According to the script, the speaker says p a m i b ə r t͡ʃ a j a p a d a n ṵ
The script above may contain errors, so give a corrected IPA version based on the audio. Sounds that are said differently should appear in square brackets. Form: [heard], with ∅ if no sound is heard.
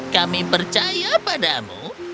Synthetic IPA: [k] a m i [p] ə r t͡ʃ a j a p a d a [m] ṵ